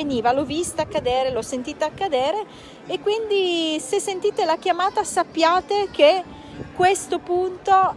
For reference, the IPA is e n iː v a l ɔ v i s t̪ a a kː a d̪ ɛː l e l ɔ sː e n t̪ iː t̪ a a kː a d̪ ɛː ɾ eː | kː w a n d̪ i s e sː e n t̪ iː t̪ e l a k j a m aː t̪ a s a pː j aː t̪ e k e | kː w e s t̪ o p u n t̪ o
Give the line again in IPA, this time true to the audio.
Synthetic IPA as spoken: e n iː v a l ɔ v i s t̪ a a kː a d̪ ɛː ɾ e l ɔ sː e n t̪ iː t̪ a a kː a d̪ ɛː ɾ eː | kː w i n d̪ i s e sː e n t̪ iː t̪ e l a k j a m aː t̪ a s a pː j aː t̪ e k e | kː w e s t̪ o p u n t̪ o